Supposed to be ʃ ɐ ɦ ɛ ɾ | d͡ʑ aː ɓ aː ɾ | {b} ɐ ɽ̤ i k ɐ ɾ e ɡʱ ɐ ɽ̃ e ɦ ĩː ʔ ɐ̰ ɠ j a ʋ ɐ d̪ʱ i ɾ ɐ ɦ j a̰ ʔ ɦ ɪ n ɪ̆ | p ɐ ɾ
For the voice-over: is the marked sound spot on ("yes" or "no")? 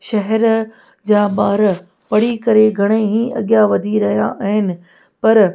no